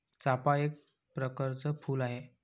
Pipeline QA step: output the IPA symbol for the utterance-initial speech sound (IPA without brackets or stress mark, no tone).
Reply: t͡s